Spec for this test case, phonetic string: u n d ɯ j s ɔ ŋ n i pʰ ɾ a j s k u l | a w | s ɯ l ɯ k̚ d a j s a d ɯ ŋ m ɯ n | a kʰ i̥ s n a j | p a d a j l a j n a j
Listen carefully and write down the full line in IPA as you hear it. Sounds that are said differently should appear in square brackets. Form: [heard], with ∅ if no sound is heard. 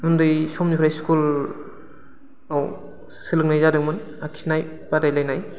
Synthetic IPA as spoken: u n d ɯ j s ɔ [m] n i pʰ ɾ a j s k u l | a w | s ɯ l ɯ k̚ [n] a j [z] a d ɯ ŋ m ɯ n | a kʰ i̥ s n a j | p a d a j l a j n a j